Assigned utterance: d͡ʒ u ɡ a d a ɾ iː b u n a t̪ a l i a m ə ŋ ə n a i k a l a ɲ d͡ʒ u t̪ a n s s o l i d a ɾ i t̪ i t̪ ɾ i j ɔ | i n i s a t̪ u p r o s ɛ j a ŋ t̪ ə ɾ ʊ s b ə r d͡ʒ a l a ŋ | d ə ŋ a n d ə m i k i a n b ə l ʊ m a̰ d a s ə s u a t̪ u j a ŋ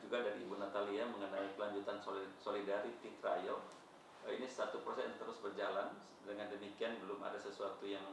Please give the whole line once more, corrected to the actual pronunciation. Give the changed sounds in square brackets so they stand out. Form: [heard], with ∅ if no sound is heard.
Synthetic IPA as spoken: d͡ʒ u ɡ a d a ɾ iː b u n a t̪ a l i a m ə ŋ ə n a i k [ə] l a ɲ d͡ʒ u t̪ a n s s o l i d a ɾ i t̪ i t̪ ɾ [a] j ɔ | i n i s a t̪ u p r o s ɛ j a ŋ t̪ ə ɾ ʊ s b ə r d͡ʒ a l a [n] | d ə ŋ a n d ə m i k i a n b ə l ʊ m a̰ d a s ə s u a t̪ u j a ŋ